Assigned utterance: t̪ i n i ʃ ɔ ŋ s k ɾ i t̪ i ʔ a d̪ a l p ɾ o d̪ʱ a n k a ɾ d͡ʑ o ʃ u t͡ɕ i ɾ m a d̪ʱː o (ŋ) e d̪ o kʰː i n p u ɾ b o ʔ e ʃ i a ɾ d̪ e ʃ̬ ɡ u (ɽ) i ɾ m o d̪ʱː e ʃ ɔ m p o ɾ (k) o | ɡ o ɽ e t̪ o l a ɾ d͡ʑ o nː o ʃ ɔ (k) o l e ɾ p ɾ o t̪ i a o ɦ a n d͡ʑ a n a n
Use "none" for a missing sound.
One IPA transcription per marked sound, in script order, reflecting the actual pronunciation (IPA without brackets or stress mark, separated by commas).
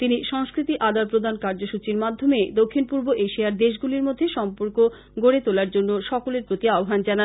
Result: m, l, k, k